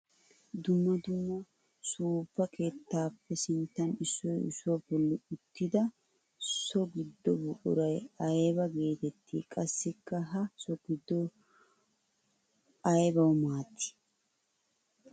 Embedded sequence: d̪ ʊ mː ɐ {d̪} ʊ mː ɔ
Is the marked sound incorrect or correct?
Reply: correct